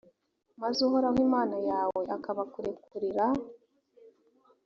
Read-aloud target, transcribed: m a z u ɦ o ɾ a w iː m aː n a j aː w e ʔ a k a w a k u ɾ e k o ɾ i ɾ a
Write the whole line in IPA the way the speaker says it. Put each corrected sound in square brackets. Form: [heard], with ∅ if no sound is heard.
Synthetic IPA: m a z u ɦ o ɾ a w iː m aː n a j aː w e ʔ a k a [β] a k u ɾ e k [u] ɾ i ɾ a